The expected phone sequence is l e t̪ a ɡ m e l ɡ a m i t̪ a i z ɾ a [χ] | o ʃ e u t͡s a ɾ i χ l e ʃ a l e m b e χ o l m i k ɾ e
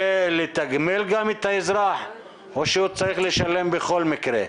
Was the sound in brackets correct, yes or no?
no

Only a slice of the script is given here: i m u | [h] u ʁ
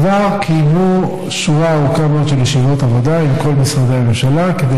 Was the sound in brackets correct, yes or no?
no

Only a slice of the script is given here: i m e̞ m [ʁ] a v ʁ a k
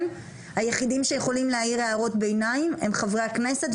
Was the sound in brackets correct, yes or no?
no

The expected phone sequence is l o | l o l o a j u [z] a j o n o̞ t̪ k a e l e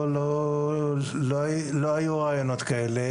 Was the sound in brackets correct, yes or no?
no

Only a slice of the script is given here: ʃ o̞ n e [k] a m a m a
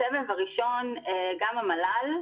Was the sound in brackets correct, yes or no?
no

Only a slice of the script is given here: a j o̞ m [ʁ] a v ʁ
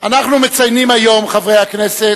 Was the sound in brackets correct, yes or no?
no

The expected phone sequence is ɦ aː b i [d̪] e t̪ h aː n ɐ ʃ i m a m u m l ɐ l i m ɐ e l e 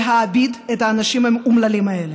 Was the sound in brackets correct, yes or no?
yes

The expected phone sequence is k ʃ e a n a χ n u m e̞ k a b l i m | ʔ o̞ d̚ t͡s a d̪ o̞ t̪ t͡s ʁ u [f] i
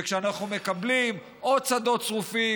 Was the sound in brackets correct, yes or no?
yes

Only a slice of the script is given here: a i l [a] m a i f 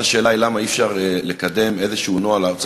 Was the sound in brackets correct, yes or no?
yes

